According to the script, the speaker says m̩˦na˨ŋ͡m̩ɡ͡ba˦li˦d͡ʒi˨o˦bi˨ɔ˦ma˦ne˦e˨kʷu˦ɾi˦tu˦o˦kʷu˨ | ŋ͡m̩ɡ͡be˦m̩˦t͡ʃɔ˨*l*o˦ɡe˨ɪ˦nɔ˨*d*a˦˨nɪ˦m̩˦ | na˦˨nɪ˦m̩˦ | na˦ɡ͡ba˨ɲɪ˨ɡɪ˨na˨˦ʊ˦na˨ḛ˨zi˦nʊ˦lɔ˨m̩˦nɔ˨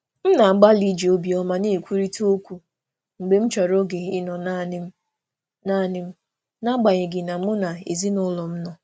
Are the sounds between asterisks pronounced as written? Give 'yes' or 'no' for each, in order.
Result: no, no

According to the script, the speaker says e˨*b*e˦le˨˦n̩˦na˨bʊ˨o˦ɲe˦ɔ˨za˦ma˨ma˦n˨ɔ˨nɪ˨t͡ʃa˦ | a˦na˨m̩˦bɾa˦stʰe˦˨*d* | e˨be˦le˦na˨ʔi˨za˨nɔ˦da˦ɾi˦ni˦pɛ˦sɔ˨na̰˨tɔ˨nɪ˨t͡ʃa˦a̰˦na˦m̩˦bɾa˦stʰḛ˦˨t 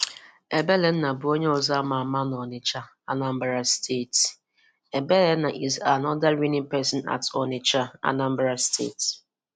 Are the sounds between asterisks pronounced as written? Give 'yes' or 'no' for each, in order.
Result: yes, no

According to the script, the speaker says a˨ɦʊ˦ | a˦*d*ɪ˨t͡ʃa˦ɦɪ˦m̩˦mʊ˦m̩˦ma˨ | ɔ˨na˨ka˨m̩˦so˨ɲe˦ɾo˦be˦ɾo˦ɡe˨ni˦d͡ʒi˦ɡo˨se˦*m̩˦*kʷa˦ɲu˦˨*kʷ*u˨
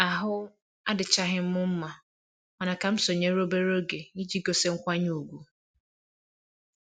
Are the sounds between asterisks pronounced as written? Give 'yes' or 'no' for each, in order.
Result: yes, no, no

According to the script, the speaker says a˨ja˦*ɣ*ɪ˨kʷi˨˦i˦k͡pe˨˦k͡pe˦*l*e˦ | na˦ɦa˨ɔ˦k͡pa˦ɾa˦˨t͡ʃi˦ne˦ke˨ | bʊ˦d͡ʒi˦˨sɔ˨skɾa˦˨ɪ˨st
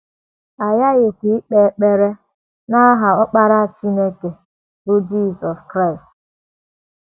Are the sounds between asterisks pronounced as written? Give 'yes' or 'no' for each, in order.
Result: yes, no

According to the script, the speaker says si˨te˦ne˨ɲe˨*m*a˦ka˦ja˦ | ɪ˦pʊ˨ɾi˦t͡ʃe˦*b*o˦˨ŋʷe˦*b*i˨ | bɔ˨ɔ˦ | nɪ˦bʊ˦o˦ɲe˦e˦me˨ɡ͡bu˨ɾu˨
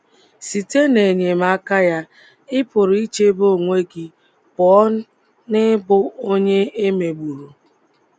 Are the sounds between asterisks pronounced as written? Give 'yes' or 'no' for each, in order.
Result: yes, yes, no

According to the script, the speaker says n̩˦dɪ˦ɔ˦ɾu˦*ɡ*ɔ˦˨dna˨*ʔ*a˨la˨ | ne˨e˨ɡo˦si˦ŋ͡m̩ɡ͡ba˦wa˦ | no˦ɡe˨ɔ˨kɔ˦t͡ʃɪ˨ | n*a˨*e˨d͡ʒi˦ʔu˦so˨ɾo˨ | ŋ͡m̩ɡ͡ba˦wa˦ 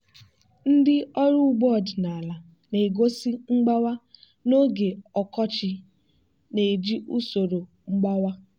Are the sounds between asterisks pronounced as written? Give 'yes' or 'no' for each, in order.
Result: no, no, no

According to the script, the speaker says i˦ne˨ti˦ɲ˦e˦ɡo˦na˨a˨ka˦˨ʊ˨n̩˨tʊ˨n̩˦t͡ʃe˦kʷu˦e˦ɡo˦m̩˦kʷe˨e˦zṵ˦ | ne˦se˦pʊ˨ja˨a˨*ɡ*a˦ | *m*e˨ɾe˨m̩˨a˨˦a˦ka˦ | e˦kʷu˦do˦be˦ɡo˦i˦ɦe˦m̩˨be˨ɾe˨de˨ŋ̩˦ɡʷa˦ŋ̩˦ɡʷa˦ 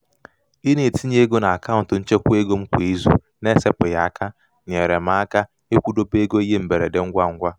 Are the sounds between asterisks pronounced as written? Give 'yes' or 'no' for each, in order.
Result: no, no

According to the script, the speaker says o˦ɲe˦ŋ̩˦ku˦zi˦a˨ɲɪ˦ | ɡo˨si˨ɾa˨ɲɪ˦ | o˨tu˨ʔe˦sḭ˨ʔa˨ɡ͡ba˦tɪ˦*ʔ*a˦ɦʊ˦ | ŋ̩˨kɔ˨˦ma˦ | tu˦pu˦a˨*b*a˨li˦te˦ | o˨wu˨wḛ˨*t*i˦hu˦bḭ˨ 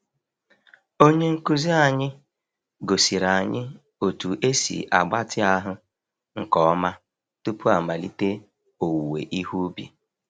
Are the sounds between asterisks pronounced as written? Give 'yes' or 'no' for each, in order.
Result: no, no, no

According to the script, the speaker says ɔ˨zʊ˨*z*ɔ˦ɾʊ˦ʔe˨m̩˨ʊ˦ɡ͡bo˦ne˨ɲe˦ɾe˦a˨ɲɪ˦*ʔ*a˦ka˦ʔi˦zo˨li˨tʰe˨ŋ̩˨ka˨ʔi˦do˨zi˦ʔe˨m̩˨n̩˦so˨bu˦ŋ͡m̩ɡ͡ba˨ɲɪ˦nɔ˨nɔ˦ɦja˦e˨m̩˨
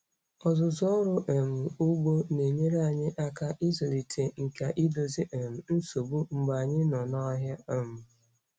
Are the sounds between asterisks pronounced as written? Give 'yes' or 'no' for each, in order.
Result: yes, yes

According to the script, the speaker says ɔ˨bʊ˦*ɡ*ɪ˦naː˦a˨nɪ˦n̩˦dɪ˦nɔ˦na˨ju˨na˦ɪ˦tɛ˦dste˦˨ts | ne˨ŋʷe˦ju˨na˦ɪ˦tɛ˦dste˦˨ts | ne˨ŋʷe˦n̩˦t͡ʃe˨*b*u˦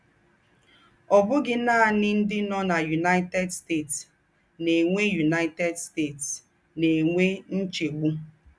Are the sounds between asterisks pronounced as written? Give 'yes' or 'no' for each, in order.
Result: yes, no

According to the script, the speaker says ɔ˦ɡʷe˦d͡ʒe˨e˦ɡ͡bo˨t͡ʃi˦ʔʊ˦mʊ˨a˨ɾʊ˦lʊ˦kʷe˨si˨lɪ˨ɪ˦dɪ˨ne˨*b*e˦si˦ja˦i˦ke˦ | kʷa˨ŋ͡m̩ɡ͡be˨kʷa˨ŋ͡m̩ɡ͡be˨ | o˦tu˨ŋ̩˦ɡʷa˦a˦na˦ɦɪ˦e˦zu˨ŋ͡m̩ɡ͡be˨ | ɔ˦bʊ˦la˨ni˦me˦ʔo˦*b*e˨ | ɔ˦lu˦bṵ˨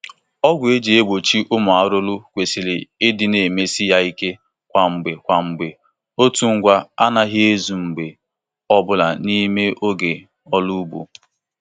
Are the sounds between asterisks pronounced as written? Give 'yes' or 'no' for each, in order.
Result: no, no

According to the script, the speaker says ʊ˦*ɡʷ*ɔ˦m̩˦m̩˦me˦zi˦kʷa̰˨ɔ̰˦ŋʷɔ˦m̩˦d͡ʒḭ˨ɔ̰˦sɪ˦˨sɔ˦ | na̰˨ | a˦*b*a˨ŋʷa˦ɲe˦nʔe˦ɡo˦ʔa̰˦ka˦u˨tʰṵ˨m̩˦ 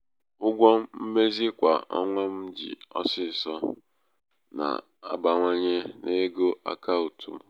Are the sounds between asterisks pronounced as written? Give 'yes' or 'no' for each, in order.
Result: yes, yes

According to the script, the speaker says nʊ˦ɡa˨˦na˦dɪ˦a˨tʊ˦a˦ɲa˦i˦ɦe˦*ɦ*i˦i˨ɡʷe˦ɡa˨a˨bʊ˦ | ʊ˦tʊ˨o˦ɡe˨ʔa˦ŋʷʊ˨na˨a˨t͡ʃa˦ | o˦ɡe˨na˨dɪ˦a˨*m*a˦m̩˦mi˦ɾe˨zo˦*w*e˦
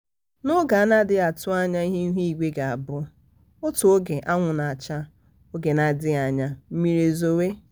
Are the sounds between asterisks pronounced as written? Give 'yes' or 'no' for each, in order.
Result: yes, no, yes

